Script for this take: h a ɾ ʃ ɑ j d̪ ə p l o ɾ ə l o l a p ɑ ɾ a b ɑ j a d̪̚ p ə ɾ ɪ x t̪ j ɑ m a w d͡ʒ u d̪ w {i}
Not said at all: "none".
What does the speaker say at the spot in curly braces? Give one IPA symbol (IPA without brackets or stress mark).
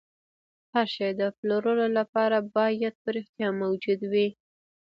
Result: i